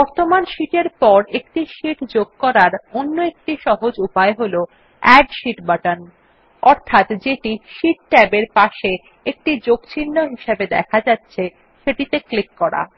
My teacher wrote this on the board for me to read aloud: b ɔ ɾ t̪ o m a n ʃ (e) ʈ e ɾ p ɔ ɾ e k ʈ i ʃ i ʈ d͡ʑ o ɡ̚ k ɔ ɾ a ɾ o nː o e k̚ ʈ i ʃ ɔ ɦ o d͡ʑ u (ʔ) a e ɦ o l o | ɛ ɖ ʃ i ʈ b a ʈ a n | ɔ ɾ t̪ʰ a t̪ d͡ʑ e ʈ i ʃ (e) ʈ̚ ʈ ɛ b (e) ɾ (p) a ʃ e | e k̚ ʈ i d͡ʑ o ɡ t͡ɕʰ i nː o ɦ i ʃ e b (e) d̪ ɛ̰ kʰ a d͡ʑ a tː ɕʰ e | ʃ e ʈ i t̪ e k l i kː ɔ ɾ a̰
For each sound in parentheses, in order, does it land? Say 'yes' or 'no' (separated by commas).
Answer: no, no, no, yes, yes, yes